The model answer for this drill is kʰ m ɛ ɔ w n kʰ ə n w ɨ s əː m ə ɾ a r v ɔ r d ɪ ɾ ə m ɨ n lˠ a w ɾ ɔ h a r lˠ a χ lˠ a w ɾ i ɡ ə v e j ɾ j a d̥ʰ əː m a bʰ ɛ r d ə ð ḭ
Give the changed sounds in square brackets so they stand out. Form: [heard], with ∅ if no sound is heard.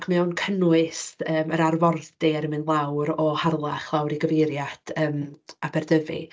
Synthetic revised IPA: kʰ m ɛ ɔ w n kʰ ə n w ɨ s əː m ə ɾ a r v ɔ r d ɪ ɾ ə m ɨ n lˠ a w ɾ ɔ h a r lˠ a χ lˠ a w ɾ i ɡ ə v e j ɾ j a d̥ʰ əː m a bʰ ɛ r d ə [v] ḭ